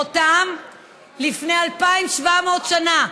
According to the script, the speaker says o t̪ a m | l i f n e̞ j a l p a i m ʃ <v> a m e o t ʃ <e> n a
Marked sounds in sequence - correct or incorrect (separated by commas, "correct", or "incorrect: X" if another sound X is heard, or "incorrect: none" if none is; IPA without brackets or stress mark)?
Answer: correct, incorrect: a